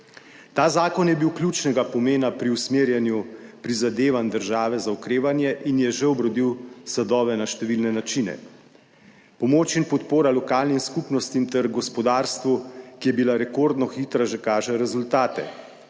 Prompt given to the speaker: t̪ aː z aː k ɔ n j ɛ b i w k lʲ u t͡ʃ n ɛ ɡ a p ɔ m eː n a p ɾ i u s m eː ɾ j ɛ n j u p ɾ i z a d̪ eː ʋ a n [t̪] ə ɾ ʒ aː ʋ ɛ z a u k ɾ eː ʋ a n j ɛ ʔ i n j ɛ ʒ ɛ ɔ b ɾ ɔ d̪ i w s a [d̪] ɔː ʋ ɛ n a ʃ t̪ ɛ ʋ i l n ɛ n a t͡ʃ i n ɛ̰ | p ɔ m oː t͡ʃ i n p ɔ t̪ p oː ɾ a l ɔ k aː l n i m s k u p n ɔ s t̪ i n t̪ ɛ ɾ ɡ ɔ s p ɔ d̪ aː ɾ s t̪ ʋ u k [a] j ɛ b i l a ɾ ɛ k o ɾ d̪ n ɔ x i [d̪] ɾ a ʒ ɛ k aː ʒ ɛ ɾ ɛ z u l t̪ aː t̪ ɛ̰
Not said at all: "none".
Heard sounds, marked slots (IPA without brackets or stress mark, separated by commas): d̪, d̪, i, t̪